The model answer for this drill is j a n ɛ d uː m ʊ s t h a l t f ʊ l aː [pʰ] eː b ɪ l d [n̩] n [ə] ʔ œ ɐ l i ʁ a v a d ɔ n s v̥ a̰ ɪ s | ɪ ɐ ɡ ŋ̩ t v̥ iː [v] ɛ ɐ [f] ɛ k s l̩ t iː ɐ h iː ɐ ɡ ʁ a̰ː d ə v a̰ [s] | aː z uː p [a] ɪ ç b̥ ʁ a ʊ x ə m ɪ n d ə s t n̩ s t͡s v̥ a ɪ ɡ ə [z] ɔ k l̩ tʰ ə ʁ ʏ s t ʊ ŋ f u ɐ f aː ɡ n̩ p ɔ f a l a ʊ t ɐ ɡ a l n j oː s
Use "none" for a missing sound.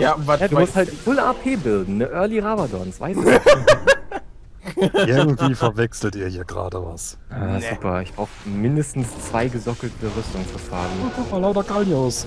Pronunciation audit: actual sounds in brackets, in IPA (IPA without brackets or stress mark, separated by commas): pʰ, n̩, ə, f, v, s, ɐ, z